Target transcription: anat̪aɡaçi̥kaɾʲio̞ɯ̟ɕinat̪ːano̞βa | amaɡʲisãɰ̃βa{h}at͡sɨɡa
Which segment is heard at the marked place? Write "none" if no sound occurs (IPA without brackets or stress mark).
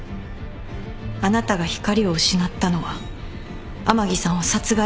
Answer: s